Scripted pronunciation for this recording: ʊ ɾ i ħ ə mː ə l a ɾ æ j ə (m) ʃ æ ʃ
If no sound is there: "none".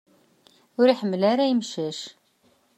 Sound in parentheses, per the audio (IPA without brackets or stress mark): m